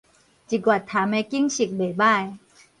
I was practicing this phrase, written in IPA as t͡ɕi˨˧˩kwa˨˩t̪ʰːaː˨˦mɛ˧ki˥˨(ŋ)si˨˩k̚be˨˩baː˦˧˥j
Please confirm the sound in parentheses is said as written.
yes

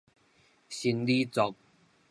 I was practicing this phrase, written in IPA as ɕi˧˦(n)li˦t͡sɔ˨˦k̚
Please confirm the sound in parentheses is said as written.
yes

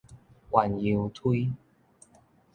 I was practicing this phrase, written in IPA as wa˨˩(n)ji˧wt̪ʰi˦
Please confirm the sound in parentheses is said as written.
yes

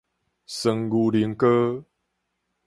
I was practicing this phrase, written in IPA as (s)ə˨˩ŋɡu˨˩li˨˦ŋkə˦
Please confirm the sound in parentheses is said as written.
yes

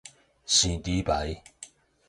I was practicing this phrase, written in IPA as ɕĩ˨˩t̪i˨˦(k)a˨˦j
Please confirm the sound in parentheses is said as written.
no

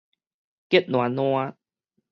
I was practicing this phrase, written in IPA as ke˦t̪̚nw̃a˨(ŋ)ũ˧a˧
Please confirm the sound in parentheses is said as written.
no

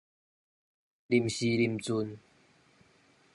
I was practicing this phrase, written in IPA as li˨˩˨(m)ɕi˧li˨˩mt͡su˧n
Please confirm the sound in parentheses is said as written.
yes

